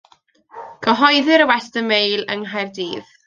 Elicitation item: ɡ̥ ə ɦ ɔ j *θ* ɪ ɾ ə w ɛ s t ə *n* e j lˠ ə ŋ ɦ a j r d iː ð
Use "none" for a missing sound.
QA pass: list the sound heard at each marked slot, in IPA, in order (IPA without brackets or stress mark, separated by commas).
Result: ð, m